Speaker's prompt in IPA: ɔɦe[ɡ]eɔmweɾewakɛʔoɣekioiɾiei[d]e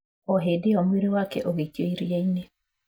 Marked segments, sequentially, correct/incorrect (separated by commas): incorrect, incorrect